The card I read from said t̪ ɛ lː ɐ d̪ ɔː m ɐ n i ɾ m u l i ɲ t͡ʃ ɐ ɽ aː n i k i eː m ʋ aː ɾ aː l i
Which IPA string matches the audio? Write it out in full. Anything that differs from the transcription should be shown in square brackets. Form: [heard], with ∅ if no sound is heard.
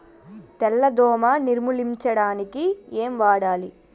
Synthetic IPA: t̪ ɛ lː ɐ d̪ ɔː m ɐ n i ɾ m u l i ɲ t͡ʃ ɐ ɽ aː n i k i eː m ʋ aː [ɽ] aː l i